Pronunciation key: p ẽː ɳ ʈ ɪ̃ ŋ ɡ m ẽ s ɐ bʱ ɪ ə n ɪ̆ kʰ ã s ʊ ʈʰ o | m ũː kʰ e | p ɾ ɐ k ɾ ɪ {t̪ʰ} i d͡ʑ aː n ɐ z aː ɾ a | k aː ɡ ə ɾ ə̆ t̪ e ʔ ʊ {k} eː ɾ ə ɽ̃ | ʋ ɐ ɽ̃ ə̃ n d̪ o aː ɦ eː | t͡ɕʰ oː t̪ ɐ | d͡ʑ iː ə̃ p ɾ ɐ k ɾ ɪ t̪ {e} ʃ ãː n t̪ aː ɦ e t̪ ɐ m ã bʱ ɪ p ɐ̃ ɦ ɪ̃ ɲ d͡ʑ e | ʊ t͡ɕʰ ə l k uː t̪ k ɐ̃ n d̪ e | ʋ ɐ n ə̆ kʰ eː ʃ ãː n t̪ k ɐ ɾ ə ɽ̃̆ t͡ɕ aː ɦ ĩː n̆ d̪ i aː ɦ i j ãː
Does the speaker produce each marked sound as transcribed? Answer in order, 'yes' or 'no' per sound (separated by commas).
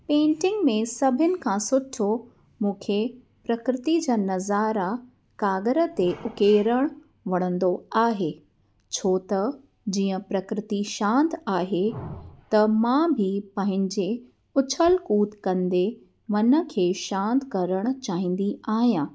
no, yes, no